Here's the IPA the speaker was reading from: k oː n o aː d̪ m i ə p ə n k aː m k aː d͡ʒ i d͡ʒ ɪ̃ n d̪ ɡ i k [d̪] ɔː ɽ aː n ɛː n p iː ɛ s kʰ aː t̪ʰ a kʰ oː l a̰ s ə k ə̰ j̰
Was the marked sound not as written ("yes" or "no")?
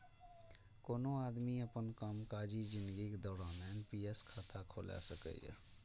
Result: no